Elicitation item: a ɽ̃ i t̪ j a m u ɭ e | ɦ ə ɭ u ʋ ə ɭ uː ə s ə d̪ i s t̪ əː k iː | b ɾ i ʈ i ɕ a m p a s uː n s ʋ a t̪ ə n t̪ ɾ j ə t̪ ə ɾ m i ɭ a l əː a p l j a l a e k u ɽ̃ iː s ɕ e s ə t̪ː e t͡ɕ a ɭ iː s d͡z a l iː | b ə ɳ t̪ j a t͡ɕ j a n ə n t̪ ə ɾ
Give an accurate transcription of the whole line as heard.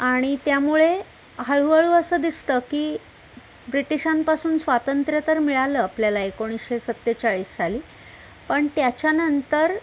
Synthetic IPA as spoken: a ɽ̃ i t̪ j a m u ɭ e | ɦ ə ɭ u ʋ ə ɭ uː ə s ə d̪ i s t̪ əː k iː | b ɾ i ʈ i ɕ a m p a s uː n s ʋ a t̪ ə n t̪ ɾ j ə t̪ ə ɾ m i ɭ a l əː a p l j a l a e k o ɽ̃ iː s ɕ e s ə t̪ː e t͡ɕ a ɭ iː s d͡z a l iː | p ə ɳ t̪ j a t͡ɕ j a n ə n t̪ ə ɾ